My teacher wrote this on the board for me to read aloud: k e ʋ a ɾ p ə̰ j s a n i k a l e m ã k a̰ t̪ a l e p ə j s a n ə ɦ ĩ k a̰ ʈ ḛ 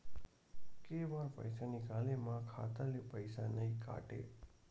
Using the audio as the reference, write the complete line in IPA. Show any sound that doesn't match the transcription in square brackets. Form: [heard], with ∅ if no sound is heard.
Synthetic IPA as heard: k e ʋ a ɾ p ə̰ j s a n i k a l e m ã [kʰ] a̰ t̪ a l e p ə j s a n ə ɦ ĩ k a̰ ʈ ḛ